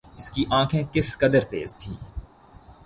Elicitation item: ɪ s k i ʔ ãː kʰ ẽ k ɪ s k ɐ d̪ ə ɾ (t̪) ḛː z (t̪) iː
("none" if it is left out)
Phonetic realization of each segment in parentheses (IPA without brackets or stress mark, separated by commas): t̪, t̪ʰ